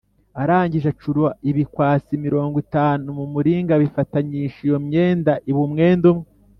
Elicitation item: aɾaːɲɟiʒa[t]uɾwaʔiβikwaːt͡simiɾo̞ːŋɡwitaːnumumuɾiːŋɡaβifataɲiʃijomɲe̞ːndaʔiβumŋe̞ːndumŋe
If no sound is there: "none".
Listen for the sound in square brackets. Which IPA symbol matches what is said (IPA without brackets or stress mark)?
t͡ʃ